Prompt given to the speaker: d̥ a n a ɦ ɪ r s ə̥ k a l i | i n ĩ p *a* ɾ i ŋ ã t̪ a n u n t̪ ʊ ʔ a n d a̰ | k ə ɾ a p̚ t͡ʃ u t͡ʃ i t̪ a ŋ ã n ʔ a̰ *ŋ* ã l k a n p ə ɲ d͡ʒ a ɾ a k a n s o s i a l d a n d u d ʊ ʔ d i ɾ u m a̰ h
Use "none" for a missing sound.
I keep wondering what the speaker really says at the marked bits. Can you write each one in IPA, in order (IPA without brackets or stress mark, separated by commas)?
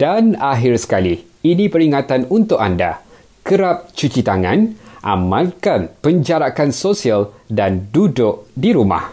ə, m